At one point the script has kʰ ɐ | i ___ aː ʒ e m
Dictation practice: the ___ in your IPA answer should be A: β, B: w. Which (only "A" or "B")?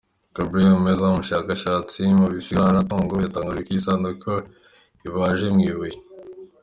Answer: A